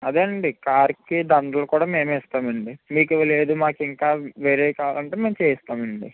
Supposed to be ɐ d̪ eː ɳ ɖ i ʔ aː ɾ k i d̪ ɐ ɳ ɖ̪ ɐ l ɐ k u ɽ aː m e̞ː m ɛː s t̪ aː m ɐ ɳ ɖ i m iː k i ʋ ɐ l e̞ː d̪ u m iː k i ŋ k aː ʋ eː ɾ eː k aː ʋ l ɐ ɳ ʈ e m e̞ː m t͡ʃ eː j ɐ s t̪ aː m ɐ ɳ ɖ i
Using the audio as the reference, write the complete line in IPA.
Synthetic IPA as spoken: ɐ d̪ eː ɳ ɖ i k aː ɾ k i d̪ ɐ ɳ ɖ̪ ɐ l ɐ k uː ɽ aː m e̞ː m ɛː s t̪ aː m ɐ ɳ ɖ i m iː k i ʋ ɐ l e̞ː d̪ u m aː k i ŋ k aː ʋ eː ɾ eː k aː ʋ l ɐ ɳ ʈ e m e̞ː m t͡ʃ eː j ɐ s t̪ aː m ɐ ɳ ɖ i